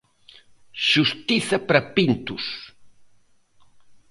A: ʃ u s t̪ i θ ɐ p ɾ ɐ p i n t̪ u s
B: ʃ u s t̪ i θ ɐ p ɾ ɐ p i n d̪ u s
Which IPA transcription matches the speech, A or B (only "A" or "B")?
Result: A